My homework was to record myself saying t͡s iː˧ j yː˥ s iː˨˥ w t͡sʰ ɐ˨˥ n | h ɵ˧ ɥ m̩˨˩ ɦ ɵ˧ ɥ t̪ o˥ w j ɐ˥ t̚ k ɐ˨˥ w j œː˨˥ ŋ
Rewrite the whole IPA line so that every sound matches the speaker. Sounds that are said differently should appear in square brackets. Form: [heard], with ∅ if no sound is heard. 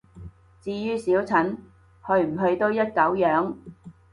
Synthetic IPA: t͡s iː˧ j yː˥ s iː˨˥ w t͡sʰ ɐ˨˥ n | h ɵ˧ ɥ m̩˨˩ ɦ ɵ˧ ɥ t̪ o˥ w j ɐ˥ t̚ k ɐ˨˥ w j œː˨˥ ŋ